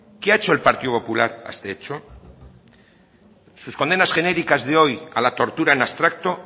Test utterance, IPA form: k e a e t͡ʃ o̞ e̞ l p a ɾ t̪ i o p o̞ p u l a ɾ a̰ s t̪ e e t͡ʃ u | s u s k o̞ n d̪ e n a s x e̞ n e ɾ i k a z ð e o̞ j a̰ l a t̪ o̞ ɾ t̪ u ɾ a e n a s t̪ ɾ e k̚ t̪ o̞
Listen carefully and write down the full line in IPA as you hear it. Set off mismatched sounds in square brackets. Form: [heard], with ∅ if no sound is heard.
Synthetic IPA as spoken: k e a e t͡ʃ o̞ e̞ l p a ɾ t̪ i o p o̞ p u l a ɾ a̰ s t̪ e e t͡ʃ [o] | s u s k o̞ n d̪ e n a s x e̞ n e ɾ i k a z ð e o̞ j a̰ l a t̪ o̞ ɾ t̪ u ɾ a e n a s t̪ ɾ [a] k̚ t̪ o̞